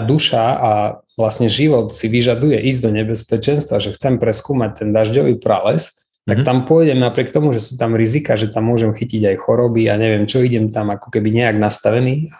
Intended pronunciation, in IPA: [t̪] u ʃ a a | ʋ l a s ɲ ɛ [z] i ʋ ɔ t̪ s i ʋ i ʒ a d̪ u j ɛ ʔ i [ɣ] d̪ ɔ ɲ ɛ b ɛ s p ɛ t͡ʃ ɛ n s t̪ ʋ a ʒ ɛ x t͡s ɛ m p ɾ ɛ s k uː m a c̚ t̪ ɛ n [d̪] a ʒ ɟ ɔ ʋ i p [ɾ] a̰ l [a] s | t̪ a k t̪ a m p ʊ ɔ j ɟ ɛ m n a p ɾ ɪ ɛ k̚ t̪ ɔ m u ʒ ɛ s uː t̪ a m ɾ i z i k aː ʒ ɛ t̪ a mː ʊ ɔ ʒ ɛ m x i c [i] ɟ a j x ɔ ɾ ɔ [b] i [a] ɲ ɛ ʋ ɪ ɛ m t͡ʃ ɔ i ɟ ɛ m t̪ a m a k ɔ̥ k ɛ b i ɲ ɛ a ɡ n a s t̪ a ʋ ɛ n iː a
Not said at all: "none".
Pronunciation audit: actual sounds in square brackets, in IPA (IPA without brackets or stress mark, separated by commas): d̪, ʒ, z, d̪, ɾ, ɛ, i, b, a